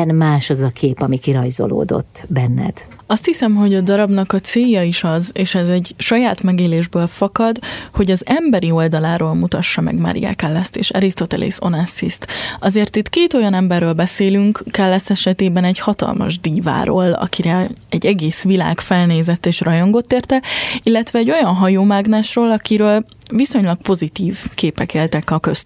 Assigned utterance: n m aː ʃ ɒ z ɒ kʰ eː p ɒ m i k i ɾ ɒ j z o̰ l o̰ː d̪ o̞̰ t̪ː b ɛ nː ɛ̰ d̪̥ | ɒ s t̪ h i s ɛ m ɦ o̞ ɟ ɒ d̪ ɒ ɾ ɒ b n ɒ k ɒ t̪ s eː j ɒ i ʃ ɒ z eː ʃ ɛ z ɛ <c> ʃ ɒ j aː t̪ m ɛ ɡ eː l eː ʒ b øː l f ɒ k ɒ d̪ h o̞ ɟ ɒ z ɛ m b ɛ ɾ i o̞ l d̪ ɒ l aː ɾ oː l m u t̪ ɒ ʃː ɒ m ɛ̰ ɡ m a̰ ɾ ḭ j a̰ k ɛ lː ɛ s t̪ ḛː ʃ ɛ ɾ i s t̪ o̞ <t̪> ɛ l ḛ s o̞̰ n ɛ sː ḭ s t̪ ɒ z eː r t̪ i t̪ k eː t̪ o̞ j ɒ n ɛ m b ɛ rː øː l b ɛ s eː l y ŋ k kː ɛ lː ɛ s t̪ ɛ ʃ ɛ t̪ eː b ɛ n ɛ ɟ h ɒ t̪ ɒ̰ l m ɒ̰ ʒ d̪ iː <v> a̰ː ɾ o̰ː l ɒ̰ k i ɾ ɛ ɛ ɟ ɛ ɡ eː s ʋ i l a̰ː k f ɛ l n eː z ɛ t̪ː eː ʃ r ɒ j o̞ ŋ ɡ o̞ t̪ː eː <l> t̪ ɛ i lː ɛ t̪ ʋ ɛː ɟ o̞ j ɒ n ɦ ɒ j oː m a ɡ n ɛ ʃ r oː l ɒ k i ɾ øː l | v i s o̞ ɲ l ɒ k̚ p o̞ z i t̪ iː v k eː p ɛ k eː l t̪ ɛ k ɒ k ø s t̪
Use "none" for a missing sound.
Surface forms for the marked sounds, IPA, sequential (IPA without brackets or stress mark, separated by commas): ɟ, t̪, v, r